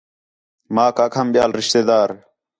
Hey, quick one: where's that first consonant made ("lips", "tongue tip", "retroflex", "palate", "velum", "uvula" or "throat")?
lips